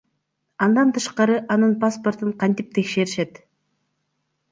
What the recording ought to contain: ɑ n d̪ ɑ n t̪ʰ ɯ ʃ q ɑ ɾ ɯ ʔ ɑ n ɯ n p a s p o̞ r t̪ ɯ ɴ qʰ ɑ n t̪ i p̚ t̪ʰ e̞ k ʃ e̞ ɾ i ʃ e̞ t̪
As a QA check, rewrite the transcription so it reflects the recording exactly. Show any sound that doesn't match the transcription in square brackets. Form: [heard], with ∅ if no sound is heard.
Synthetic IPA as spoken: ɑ n d̪ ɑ n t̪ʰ ɯ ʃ q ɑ ɾ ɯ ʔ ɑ n ɯ n p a s p o̞ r t̪ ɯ ɴ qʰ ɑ n t̪ i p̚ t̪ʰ e̞ k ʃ e̞ ɾ i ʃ e̞ t̪